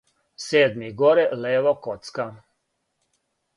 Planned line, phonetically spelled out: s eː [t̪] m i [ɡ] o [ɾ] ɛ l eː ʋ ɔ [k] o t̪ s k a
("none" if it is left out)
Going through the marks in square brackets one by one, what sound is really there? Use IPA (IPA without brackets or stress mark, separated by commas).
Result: d̪, ɡ, ɾ, k